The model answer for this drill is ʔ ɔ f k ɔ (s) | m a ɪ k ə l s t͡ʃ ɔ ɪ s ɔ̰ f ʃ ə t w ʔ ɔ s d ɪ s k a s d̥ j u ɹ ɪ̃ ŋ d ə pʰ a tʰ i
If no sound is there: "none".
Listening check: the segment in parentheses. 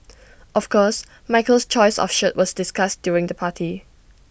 s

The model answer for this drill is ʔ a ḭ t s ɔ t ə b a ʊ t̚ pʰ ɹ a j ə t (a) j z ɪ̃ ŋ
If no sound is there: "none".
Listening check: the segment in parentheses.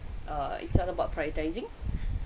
a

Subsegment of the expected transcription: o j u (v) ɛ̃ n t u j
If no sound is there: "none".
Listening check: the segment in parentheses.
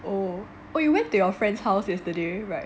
w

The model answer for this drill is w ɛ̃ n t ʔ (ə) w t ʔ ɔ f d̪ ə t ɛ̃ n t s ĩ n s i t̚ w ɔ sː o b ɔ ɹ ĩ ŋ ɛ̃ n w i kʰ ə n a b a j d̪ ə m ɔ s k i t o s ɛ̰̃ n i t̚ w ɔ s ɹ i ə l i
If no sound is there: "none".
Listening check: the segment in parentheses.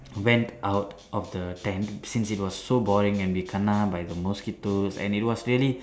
a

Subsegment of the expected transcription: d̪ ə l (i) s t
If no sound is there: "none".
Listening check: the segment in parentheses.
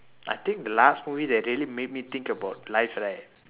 a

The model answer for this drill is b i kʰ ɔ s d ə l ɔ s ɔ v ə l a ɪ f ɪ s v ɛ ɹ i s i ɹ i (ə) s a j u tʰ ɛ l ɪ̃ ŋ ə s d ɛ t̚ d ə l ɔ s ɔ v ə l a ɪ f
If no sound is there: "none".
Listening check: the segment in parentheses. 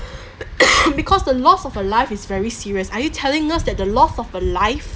ə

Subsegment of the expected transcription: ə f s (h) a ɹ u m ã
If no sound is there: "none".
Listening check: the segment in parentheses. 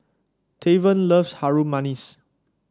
h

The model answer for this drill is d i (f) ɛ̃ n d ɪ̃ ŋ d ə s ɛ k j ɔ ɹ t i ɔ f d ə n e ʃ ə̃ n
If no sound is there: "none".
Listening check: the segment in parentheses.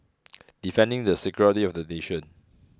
f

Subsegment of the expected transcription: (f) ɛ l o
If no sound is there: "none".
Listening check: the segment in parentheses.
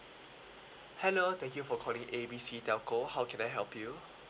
h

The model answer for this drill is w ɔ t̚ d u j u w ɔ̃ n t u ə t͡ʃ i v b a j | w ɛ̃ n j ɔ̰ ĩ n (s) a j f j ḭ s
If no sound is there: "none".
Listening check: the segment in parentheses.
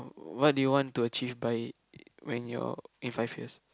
f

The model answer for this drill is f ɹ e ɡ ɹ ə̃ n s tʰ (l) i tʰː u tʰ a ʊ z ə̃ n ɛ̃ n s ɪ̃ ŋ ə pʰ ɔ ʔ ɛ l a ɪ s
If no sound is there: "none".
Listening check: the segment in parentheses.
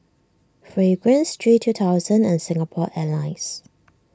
ɹ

